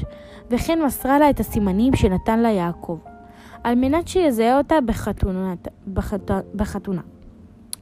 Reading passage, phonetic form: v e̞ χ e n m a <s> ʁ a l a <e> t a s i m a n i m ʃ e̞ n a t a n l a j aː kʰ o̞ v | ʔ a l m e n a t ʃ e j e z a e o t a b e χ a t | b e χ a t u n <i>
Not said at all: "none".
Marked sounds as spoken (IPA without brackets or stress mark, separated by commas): s, e, a